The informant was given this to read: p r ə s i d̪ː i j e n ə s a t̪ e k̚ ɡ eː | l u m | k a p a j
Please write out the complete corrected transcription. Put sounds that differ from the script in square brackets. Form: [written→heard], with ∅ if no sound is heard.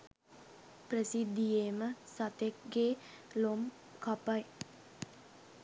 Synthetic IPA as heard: p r ə s i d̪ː i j e [n→m] ə s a t̪ e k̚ ɡ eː | l [u→o] m | k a p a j